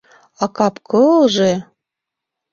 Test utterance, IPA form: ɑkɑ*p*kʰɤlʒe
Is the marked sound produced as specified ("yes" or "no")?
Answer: yes